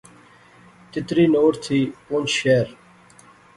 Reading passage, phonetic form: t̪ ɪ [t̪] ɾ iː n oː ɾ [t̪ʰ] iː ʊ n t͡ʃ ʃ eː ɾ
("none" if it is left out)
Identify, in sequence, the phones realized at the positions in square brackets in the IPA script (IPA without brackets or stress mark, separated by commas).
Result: t̪, t̪ʰ